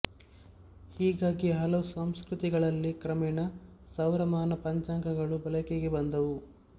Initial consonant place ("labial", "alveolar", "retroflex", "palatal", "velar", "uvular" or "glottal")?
glottal